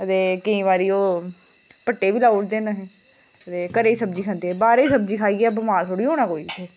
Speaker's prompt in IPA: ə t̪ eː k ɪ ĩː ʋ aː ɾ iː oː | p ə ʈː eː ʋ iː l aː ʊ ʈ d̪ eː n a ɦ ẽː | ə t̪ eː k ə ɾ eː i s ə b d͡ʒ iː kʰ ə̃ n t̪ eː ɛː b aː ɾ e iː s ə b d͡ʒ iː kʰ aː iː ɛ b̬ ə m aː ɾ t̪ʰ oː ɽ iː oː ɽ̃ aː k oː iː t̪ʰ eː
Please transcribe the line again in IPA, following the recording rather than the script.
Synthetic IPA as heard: ə t̪ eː k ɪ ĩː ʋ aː ɾ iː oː | p ə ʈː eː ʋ iː l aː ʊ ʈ d̪ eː n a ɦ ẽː | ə t̪ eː k ə ɾ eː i s ə b d͡ʒ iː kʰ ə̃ n d̪ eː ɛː b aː ɾ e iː s ə b d͡ʒ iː kʰ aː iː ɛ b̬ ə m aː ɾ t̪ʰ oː ɽ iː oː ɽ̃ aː k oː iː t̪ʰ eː